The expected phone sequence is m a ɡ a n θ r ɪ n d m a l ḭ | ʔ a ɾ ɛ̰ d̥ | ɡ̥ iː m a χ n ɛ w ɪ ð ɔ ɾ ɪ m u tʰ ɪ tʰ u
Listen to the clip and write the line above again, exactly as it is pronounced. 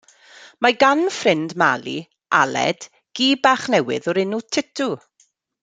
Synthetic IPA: m a ɡ a n f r ɪ n d m a l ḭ | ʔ a l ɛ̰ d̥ | ɡ̥ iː b a χ n ɛ w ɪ ð ɔ ɾ ɪ n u tʰ ɪ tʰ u